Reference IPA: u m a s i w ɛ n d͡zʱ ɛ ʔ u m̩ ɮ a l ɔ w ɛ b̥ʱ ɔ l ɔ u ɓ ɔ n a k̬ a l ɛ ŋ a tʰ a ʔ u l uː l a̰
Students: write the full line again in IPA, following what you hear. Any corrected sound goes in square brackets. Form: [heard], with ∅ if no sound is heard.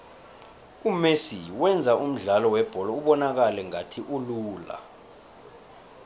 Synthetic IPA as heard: u m [e] s i w ɛ n d͡zʱ [a] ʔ u m̩ ɮ a l ɔ w ɛ b̥ʱ ɔ l ɔ u ɓ ɔ n a k̬ a l ɛ ŋ a tʰ [i] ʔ u l uː l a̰